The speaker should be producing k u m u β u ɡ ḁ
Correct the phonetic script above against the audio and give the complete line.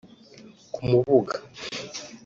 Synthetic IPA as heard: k u m u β u ɡ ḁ